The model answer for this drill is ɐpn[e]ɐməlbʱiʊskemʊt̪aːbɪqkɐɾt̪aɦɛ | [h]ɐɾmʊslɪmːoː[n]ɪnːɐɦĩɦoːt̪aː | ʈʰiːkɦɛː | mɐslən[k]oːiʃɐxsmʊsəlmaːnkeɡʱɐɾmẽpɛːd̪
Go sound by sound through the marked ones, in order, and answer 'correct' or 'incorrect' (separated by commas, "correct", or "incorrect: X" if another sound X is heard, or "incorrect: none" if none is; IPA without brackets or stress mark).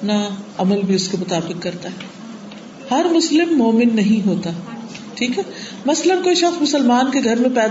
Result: incorrect: a, correct, incorrect: m, correct